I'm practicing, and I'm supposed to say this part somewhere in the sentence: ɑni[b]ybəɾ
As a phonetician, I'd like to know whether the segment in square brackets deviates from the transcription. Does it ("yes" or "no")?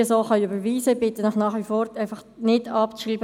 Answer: yes